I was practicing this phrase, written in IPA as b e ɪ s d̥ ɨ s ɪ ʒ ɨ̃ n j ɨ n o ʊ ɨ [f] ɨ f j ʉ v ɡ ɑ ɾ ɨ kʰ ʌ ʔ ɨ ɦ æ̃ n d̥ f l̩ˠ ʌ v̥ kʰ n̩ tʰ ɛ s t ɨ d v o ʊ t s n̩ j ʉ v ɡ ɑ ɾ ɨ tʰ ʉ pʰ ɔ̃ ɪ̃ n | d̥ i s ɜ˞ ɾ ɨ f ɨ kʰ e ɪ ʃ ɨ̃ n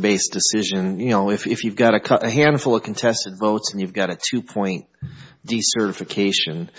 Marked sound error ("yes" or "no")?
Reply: no